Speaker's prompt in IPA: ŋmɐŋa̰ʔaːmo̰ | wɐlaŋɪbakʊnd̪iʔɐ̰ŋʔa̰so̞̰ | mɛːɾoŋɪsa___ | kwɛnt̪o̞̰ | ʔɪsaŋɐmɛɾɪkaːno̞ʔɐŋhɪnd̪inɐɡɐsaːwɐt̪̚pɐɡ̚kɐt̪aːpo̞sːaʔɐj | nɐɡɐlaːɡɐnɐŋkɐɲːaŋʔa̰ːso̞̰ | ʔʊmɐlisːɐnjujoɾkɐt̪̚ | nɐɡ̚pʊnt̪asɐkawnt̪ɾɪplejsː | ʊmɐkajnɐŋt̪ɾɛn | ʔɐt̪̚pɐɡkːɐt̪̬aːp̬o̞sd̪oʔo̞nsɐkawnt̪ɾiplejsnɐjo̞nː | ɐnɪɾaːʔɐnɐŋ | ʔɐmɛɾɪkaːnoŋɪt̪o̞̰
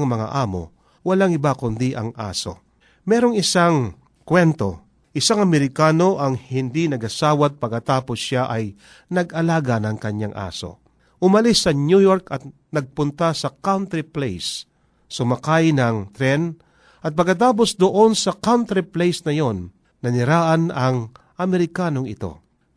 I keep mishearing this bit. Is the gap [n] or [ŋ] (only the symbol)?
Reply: ŋ